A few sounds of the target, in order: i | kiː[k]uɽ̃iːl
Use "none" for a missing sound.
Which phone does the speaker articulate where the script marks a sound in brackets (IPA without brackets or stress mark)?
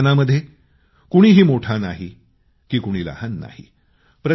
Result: k